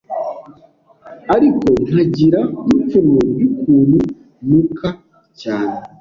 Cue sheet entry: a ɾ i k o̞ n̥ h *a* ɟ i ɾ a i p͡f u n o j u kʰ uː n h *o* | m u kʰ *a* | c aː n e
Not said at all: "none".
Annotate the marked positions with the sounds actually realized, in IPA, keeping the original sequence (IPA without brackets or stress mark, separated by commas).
a, u, a